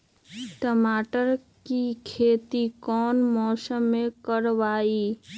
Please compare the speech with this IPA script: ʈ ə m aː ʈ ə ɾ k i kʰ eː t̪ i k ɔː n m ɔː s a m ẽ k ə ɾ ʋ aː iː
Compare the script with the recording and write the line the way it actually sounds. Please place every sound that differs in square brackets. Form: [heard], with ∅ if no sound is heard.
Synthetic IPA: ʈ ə m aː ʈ ə ɾ k i kʰ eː t̪ i k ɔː n m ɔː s [ə] m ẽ k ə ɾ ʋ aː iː